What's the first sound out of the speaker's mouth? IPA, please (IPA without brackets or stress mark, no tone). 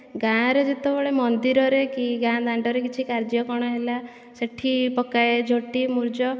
ɡ